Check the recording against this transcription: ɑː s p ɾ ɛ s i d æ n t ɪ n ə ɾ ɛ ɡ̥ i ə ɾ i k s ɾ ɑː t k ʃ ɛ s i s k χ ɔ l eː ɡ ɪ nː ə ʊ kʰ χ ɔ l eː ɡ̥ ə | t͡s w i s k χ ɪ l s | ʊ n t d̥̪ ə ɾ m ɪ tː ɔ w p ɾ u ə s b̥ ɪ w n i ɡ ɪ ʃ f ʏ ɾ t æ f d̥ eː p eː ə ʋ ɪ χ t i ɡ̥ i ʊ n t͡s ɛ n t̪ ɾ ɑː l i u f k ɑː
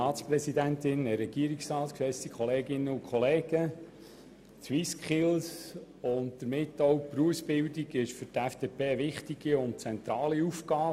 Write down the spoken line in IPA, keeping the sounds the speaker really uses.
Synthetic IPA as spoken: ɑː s p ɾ ɛ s i d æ n t ɪ n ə ɾ ɛ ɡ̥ i ə ɾ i k s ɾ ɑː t k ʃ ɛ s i k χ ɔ l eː ɡ ɪ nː ə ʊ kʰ χ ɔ l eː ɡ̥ ə | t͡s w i s k χ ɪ l s | ʊ n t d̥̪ ə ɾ m ɪ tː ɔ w p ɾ u ə s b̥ ɪ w d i ɡ ɪ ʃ f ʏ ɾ t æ f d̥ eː p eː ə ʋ ɪ χ t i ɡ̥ i ʊ n t͡s ɛ n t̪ ɾ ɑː l i u f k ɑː